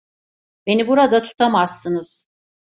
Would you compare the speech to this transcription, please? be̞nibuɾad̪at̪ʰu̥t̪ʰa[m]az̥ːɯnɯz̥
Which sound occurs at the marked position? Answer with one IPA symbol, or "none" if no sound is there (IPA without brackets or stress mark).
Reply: m